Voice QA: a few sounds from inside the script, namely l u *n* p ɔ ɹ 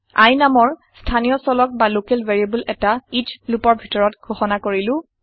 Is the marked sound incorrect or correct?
incorrect: none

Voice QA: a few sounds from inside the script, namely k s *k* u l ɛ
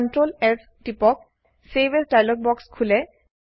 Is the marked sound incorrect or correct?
incorrect: kʰ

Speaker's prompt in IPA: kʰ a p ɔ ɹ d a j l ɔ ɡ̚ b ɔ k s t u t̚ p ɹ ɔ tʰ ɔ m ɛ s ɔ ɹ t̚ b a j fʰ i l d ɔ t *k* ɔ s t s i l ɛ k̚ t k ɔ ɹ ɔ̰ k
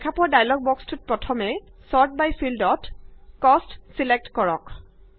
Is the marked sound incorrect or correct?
correct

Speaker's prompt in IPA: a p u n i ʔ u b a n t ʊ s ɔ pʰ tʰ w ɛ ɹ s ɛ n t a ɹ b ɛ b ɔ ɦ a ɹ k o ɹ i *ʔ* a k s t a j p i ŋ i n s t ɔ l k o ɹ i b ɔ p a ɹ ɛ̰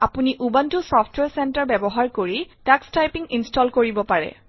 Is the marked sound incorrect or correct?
incorrect: t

